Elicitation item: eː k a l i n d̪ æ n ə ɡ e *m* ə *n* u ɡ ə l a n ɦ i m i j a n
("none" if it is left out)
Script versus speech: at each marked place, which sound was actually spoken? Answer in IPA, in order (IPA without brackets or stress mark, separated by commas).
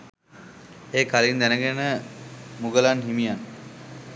n, m